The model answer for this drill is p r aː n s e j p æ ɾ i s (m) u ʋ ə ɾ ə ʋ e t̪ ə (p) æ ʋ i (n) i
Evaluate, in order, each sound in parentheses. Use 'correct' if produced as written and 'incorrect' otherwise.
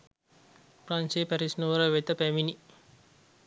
incorrect: n, correct, correct

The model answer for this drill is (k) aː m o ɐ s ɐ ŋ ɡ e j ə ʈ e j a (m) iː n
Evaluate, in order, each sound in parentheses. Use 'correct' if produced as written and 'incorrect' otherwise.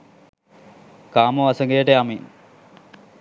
correct, correct

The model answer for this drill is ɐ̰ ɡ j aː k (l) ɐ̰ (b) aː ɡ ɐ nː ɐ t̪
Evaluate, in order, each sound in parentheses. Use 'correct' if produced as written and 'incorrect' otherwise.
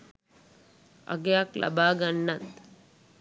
correct, correct

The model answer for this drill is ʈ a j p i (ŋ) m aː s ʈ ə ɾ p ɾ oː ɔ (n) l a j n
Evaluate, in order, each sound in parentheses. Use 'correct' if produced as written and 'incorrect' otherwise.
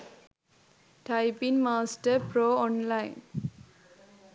incorrect: n, correct

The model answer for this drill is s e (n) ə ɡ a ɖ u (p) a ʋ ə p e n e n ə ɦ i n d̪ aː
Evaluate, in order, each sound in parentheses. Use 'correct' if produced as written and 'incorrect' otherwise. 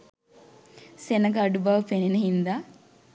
correct, incorrect: b

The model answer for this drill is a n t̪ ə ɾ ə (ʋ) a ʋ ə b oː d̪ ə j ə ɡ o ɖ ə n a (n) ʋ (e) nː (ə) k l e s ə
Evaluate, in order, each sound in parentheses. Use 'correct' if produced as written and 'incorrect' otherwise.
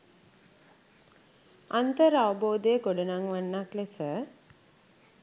incorrect: none, incorrect: ŋ, incorrect: a, incorrect: a

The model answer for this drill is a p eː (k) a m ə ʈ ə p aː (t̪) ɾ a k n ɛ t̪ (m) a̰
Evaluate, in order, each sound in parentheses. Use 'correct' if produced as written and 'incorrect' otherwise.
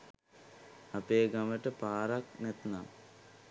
incorrect: ɡ, incorrect: none, incorrect: n

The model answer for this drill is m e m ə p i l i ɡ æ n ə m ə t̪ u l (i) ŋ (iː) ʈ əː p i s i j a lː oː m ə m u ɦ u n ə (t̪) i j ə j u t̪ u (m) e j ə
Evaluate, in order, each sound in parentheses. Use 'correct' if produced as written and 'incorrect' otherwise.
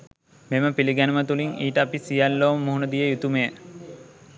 correct, correct, incorrect: d̪, correct

